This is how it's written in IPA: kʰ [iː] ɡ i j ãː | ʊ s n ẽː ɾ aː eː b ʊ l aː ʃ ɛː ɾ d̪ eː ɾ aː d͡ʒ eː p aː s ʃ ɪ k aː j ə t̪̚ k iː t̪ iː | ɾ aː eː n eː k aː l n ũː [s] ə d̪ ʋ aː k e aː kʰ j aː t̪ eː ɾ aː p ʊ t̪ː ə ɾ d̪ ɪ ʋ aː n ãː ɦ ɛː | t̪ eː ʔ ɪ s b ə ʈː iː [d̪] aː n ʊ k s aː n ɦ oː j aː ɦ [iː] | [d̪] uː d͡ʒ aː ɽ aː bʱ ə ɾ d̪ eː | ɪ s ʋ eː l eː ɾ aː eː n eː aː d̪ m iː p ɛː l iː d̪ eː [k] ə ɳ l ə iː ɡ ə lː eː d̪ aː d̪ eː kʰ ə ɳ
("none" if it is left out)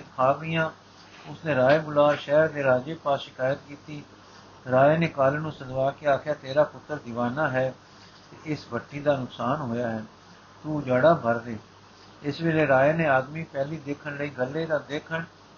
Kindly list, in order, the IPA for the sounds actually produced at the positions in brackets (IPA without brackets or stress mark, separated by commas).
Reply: aː, s, d̪, ɛː, t̪, kʰ